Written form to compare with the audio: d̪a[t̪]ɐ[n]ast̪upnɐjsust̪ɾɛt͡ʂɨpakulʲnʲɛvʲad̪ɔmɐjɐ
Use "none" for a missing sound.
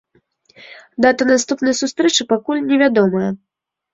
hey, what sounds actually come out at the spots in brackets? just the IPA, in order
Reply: t̪, n

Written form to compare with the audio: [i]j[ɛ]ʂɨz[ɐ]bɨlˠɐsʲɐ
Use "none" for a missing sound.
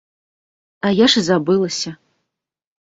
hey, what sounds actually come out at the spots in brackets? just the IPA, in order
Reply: a, a, a

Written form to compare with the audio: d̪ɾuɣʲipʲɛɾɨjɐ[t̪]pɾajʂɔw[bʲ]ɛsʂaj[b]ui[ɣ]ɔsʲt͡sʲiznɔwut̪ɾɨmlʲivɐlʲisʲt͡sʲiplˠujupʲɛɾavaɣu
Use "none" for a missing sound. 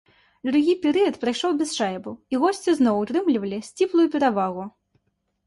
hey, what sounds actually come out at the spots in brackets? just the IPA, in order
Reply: t̪, bʲ, b, ɣ

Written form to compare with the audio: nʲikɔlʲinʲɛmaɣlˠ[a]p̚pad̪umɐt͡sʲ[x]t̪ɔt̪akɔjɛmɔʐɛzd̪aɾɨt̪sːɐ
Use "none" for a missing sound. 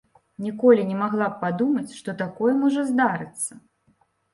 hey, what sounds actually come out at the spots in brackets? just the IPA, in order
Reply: a, ʂ

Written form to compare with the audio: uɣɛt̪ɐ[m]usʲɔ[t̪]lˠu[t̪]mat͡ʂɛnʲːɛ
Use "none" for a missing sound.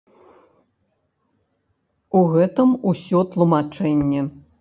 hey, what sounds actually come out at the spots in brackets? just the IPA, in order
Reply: m, t̪, none

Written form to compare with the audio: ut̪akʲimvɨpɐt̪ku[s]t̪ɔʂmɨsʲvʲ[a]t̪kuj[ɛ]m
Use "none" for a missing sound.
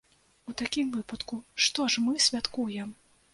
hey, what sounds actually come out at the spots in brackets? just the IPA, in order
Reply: ʂ, a, ɛ

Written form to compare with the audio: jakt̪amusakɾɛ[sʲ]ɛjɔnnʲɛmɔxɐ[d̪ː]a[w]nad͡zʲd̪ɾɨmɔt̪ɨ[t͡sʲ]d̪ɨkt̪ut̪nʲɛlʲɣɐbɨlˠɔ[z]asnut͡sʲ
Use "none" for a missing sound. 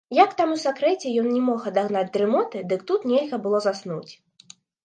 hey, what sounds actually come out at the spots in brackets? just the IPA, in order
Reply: t͡sʲ, d̪, ɣ, none, z

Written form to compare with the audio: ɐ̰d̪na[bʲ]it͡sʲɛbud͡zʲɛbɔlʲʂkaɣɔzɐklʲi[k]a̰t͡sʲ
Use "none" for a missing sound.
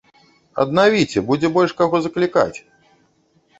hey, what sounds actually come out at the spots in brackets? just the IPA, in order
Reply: vʲ, k

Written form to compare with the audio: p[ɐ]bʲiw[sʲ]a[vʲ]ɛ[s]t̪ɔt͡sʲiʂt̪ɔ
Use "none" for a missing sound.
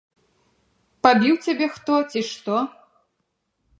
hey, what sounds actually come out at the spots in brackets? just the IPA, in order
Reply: a, t͡sʲ, bʲ, x

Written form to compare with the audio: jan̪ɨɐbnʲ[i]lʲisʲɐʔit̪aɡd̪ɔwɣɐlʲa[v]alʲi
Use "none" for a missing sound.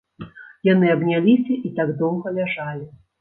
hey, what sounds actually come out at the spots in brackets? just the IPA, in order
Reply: a, ʐ

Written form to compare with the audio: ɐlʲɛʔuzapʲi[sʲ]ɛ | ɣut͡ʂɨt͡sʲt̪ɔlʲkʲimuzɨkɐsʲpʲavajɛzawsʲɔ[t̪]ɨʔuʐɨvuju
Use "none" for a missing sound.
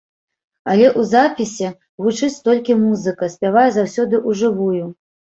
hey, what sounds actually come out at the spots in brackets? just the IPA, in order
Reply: sʲ, d̪

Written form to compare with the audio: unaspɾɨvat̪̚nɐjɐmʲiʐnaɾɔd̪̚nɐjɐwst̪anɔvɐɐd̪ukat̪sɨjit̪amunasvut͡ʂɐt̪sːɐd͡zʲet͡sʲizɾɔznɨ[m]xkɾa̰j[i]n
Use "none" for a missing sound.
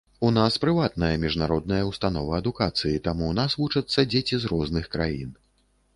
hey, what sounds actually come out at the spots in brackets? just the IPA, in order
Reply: none, i

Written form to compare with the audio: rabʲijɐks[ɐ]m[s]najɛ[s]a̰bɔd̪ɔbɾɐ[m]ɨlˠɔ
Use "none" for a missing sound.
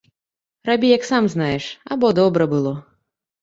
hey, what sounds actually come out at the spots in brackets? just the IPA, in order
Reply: a, z, ʂ, b

